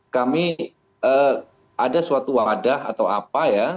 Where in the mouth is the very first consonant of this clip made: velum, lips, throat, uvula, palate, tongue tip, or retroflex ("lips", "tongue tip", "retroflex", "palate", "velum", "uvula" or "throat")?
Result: velum